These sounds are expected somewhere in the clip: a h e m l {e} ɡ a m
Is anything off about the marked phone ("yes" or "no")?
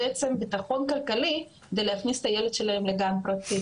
no